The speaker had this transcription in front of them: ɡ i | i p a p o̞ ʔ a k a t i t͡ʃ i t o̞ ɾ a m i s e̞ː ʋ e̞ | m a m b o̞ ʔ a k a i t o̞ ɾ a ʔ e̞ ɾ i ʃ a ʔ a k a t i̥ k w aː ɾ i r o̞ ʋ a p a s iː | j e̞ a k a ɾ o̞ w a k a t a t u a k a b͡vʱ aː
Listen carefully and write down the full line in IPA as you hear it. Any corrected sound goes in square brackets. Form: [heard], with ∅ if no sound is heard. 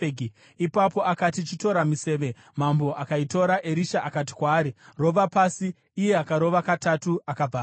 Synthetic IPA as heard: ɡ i | i p a p o̞ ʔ a k a t i t͡ʃ i t o̞ ɾ a m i s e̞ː ʋ e̞ | m a m b o̞ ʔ a k a i t o̞ ɾ a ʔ e̞ ɾ i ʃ a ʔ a k a t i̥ k w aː ɾ i r o̞ ʋ a p a s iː | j e̞ a k a ɾ o̞ [ʋ] a k a t a t u a k a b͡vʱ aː

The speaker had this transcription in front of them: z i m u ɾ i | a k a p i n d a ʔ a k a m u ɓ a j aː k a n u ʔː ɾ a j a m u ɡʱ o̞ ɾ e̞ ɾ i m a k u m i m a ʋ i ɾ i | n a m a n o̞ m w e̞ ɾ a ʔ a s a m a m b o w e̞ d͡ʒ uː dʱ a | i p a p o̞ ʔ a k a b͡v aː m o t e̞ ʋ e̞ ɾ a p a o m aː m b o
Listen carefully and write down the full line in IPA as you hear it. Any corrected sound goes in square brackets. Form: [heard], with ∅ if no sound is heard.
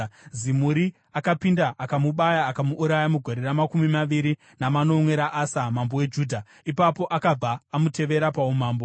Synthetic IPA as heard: z i m u ɾ i | a k a p i n d a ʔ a k a m u ɓ a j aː k a [m] u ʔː ɾ a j a m u ɡʱ o̞ ɾ e̞ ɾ [a] m a k u m i m a ʋ i ɾ i | n a m a n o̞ m w e̞ ɾ a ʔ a s a m a m b o w e̞ d͡ʒ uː dʱ a | i p a p o̞ ʔ a k a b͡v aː m [u] t e̞ ʋ e̞ ɾ a p a [u] m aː m b o

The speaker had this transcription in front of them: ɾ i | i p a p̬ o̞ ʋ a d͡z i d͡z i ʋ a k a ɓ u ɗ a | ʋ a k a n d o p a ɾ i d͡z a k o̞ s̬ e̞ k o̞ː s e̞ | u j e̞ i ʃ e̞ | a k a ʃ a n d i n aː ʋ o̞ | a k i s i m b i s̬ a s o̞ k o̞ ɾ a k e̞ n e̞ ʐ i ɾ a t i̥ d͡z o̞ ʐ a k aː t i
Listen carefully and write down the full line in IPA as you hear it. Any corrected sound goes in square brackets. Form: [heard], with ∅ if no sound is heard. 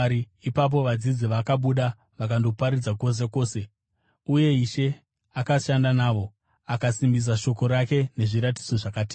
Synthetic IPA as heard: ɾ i | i p a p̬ o̞ ʋ a d͡z i d͡z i ʋ a k a ɓ u ɗ a | ʋ a k a n d o p a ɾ i d͡z a k o̞ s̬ e̞ k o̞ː s e̞ | u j e̞ i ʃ e̞ | a k a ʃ a n d [a] n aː ʋ o̞ | a k [a] s i m b i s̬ a [ʃ] o̞ k o̞ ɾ a k e̞ n e̞ ʐ i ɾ a t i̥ d͡z o̞ ʐ a k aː t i

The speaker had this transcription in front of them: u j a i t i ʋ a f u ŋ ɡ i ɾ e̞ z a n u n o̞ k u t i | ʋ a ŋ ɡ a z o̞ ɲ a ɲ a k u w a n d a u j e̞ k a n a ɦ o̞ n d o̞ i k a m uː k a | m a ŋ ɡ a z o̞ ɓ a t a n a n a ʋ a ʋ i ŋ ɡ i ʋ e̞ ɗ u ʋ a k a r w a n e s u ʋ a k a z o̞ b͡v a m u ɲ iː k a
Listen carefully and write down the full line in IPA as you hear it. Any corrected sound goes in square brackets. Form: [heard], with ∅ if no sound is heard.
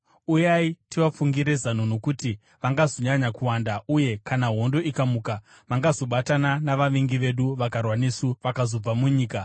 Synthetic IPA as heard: u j a i t i ʋ a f u ŋ ɡ i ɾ e̞ z a n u n o̞ k u t i | ʋ a ŋ ɡ a z o̞ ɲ a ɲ a k u w a n d a u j e̞ k a n a ɦ o̞ n d o̞ i k a m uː k a | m a ŋ ɡ a z o̞ ɓ a t a n a n a ʋ a ʋ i ŋ ɡ i ʋ e̞ ɗ u ʋ a k a r w a n e s u ʋ a k a z o̞ b͡v a m u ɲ iː k a

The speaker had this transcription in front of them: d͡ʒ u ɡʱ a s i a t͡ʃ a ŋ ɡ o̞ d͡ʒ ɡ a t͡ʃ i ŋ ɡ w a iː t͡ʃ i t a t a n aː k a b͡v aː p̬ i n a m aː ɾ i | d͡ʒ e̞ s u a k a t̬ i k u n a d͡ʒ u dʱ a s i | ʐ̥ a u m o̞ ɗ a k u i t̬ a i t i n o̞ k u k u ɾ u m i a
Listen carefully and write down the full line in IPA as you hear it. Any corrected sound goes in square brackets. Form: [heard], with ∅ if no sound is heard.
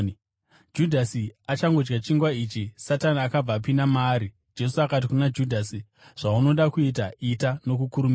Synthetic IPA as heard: d͡ʒ u [dʱ] a s i a t͡ʃ a ŋ ɡ o̞ d͡ʒ ɡ a t͡ʃ i ŋ ɡ w a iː t͡ʃ i [s] a t a n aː k a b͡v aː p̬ i n a m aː ɾ i | d͡ʒ e̞ s u a k a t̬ i k u n a d͡ʒ u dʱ a s i | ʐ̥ a u [n] o̞ ɗ a k u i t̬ a i t [a] n o̞ k u k u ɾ u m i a

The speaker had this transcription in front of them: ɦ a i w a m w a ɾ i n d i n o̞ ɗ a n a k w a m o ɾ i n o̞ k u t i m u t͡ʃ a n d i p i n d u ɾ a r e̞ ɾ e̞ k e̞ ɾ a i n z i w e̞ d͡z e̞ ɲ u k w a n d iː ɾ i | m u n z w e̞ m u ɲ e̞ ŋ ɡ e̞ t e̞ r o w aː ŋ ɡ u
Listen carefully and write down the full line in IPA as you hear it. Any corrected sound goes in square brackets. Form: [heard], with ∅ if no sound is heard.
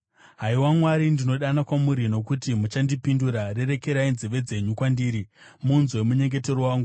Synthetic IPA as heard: ɦ a i w a m w a ɾ i n d i n o̞ ɗ a n a k w a m [u] ɾ i n o̞ k u t i m u t͡ʃ a n d i p i n d u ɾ a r e̞ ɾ e̞ k e̞ ɾ a i n z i [ʋ] e̞ d͡z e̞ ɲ u k w a n d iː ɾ i | m u n z w e̞ m u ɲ e̞ ŋ ɡ e̞ t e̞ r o w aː ŋ ɡ u

